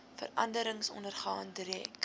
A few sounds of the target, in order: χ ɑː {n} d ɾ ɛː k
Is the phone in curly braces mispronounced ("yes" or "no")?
no